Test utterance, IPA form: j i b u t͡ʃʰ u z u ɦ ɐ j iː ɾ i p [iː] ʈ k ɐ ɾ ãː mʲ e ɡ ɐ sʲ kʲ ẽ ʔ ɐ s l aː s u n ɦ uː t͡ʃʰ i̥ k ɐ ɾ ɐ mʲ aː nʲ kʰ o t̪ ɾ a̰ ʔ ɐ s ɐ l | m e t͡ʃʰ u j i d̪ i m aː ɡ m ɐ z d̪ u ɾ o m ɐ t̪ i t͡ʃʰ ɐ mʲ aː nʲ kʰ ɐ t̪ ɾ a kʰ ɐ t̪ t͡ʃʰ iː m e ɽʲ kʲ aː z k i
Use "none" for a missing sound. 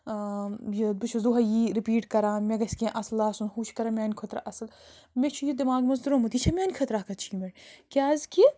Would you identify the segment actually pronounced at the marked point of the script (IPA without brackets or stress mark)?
iː